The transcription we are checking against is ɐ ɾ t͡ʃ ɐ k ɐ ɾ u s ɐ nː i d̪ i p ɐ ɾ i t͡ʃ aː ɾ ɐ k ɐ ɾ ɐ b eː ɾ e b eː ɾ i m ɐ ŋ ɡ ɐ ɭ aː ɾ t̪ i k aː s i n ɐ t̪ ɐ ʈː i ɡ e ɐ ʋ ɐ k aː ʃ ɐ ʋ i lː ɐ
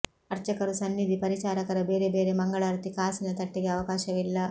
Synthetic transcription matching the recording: ɐ ɾ t͡ʃ ɐ k ɐ ɾ u s ɐ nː i d̪ i p ɐ ɾ i t͡ʃ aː ɾ ɐ k ɐ ɾ ɐ b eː ɾ e b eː ɾ e m ɐ ŋ ɡ ɐ ɭ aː ɾ t̪ i k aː s i n ɐ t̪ ɐ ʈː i ɡ e ɐ ʋ ɐ k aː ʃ ɐ ʋ i lː ɐ